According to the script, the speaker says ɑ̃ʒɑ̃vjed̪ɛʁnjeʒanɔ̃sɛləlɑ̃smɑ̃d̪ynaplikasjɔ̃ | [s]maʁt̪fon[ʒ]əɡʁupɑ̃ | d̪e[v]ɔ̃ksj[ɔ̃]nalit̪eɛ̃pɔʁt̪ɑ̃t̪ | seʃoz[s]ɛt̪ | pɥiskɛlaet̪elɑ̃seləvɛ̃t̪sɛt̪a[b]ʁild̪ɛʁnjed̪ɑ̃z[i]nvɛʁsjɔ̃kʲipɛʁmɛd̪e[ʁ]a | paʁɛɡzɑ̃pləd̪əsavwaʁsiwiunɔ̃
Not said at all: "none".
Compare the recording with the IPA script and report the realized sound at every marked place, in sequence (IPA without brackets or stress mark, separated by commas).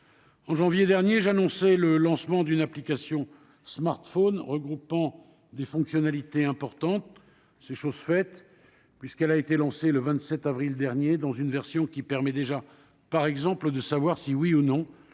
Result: s, ʁ, f, ɔ, f, v, y, ʒ